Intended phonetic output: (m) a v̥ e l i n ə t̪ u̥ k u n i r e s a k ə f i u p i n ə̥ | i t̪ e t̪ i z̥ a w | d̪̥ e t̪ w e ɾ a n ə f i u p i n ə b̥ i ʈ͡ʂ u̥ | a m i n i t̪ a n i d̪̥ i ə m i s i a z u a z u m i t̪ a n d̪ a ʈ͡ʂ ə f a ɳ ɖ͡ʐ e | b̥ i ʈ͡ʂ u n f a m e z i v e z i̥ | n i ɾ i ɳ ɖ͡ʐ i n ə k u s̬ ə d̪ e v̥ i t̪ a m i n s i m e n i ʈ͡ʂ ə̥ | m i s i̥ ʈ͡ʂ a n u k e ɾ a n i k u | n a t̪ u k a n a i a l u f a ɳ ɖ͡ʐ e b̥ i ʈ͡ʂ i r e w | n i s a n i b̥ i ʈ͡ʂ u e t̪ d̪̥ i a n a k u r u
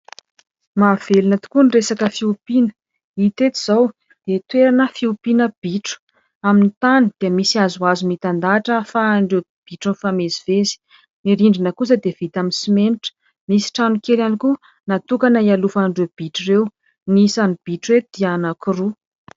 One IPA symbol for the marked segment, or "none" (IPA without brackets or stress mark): m